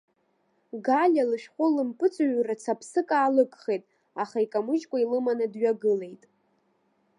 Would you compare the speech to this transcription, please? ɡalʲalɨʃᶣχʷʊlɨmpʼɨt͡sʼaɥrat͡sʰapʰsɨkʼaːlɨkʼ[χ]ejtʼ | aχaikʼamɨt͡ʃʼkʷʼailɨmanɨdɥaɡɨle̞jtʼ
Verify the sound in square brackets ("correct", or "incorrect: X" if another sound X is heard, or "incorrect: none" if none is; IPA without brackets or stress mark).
correct